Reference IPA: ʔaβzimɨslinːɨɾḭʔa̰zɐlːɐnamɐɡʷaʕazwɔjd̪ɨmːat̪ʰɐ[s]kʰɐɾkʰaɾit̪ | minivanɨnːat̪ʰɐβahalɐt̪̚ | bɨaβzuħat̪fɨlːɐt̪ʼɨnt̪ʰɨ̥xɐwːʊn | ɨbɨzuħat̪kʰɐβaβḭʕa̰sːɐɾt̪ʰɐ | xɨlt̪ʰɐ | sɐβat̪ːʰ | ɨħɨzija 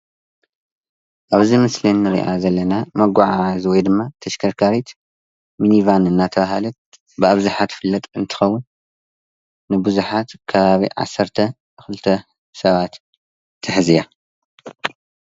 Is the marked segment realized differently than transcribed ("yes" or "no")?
yes